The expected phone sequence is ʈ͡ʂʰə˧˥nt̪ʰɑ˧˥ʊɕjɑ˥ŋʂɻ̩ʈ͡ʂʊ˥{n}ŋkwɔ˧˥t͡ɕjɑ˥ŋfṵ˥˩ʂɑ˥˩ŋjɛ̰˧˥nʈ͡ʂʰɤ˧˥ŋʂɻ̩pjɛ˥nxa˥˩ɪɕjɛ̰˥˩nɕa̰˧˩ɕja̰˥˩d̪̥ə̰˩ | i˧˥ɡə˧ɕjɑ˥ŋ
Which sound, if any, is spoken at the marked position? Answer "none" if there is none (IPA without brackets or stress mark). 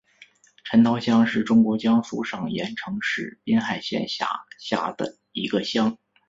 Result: none